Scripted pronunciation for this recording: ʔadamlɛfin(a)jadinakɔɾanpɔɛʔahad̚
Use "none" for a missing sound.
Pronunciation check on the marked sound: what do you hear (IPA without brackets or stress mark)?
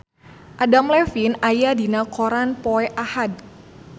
a